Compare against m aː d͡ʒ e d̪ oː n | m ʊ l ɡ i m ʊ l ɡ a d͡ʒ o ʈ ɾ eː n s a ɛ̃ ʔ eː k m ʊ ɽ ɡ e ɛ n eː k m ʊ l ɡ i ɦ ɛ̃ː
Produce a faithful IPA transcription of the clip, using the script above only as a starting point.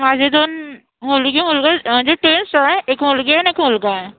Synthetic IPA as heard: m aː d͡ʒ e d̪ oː n | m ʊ l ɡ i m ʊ l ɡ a d͡ʒ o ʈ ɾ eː n s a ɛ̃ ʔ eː k m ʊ l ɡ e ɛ n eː k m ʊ l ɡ a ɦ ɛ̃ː